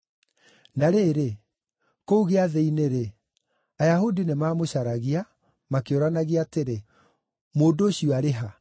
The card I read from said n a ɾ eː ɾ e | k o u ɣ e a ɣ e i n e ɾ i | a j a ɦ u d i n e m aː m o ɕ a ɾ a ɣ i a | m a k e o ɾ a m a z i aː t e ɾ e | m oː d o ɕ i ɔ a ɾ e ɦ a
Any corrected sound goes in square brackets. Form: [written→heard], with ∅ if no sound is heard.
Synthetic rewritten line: n a ɾ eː ɾ e | k o u ɣ e a [ɣ→ð] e i n e ɾ [i→e] | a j a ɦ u d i n e m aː m o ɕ a ɾ a ɣ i a | m a k e o ɾ a [m→n] a [z→ɣ] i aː t e ɾ e | m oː d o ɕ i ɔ a ɾ e ɦ a